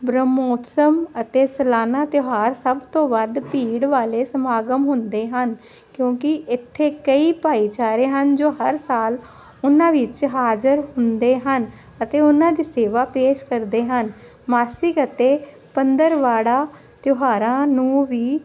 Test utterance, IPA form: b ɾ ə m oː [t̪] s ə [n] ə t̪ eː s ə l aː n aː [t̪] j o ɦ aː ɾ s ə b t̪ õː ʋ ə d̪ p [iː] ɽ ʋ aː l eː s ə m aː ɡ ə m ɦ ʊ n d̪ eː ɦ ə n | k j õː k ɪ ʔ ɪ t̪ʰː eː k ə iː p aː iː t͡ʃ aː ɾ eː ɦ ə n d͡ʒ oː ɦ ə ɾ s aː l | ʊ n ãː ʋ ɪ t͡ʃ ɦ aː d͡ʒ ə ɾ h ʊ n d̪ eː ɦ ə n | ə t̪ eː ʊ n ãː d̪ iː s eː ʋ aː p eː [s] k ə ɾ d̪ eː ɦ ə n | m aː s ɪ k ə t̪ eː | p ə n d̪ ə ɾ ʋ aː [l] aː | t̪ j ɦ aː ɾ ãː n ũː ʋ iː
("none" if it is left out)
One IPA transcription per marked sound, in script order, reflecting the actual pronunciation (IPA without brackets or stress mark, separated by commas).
t̪, m, t̪, iː, ʃ, ɽ